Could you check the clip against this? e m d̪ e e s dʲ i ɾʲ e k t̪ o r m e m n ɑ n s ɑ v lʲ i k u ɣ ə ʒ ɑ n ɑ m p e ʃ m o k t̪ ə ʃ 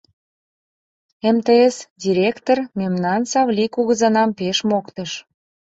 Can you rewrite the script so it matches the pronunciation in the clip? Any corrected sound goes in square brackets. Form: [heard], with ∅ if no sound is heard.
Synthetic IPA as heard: e m [t̪] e e s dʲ i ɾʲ e k t̪ o r m e m n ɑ n s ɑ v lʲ i k u ɣ ə [z] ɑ n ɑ m p e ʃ m o k t̪ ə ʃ